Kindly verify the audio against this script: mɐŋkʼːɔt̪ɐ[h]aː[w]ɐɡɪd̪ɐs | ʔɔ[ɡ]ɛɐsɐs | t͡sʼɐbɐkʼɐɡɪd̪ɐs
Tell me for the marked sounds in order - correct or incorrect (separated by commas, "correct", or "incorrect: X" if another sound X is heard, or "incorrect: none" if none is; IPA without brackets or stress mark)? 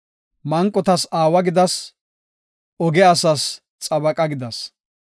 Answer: incorrect: s, correct, correct